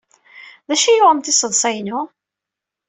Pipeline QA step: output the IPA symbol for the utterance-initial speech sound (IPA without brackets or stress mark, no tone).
ð